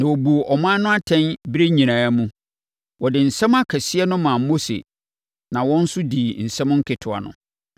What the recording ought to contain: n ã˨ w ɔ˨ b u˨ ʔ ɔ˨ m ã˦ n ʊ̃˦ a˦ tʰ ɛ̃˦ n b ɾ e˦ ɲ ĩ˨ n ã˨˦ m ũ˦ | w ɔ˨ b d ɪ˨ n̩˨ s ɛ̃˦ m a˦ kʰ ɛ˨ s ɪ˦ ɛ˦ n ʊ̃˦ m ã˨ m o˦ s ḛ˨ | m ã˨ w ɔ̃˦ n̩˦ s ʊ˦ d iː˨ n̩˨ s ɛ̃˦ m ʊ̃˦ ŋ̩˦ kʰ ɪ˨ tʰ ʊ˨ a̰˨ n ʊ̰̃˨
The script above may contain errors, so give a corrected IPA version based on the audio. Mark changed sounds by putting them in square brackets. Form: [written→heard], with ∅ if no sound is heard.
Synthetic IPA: n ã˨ w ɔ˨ b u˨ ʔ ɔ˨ m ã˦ n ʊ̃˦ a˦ tʰ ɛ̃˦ n b ɾ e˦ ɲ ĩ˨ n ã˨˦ m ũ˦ | w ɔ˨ [b→∅] d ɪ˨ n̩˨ s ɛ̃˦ m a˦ kʰ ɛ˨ s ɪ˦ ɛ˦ n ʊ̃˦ m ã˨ m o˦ s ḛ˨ | [m→n] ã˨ w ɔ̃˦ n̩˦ s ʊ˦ d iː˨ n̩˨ s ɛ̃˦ m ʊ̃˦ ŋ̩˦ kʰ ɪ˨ tʰ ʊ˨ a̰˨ n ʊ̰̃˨